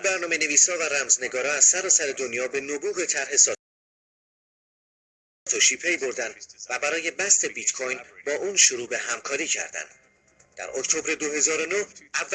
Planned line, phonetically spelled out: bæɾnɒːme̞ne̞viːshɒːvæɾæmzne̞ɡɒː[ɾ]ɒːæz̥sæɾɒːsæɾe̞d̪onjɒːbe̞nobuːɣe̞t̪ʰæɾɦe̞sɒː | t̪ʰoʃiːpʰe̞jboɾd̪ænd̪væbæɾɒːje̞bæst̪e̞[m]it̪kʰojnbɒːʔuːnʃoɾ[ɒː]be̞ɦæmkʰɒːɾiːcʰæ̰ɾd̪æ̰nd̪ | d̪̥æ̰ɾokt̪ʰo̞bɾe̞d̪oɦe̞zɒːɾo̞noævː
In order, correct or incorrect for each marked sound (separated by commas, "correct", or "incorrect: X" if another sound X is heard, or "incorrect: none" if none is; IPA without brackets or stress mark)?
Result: correct, incorrect: b, incorrect: uː